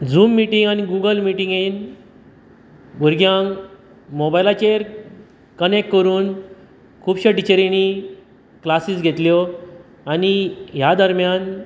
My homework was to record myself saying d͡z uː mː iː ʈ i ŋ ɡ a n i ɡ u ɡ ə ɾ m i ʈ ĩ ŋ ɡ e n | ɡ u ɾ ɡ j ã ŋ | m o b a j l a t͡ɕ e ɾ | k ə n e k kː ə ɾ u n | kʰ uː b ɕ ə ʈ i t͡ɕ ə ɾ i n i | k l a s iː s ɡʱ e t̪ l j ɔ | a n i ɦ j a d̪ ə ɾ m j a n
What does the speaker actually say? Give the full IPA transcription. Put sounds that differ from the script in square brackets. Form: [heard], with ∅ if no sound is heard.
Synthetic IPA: d͡z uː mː [i] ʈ i ŋ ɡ a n i ɡ u ɡ ə [l] m i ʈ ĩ ŋ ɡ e n | ɡ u ɾ ɡ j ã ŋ | m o b a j l a t͡ɕ e ɾ | k ə n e k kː ə ɾ [uː] n | kʰ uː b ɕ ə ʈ i t͡ɕ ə ɾ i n i | k l a s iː s ɡʱ e t̪ l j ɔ | a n i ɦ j a d̪ ə ɾ m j a n